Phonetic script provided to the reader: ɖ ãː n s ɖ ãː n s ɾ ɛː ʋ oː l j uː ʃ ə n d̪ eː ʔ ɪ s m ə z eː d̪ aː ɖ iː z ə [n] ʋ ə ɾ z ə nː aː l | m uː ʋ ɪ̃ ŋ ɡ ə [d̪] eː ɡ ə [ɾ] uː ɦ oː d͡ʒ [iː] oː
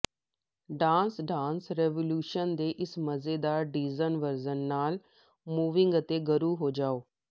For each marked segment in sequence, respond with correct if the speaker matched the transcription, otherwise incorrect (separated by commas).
correct, incorrect, correct, incorrect